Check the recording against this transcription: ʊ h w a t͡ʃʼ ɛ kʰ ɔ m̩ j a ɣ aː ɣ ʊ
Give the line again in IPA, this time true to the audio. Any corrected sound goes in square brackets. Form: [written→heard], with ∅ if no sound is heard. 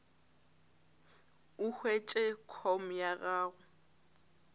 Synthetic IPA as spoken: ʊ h w [a→e] t͡ʃʼ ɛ kʰ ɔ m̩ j a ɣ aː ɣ ʊ